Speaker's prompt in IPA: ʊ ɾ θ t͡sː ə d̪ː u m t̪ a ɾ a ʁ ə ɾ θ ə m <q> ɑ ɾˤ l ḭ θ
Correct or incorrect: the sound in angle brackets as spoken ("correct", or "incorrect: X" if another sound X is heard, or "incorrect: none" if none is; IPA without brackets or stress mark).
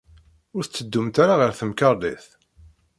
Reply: incorrect: k